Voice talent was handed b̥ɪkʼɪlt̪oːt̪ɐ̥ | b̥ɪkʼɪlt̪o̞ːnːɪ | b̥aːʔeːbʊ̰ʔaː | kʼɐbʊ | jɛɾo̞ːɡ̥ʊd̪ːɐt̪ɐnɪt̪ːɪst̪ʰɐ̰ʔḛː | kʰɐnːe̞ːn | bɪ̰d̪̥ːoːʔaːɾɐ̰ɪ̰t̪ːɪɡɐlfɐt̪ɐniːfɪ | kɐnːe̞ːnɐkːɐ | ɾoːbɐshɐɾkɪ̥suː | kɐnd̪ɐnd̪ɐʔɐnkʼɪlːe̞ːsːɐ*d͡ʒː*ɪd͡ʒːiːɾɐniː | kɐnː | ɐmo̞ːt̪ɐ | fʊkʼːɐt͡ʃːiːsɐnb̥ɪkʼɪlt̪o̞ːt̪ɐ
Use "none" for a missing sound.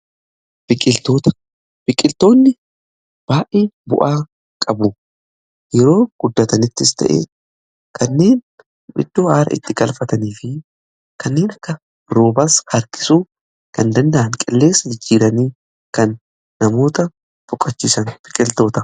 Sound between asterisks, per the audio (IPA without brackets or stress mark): d͡ʒ